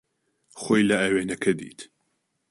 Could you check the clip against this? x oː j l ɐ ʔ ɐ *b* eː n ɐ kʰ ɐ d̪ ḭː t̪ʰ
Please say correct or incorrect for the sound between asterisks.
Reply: incorrect: w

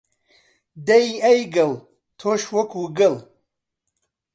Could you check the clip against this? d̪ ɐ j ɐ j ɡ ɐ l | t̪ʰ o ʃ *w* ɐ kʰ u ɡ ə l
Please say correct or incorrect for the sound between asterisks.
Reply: correct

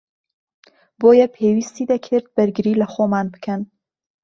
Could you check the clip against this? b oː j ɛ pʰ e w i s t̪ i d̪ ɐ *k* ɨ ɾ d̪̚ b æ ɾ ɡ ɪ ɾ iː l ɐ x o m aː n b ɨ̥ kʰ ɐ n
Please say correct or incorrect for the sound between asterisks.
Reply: incorrect: kʰ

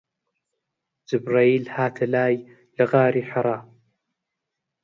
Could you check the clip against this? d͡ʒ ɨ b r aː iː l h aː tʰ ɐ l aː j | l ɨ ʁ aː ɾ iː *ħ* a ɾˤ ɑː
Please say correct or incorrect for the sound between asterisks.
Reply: correct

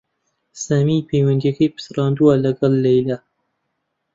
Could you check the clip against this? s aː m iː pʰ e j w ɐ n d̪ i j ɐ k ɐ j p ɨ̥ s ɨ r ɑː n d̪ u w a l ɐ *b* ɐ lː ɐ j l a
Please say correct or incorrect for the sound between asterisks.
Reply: incorrect: ɡ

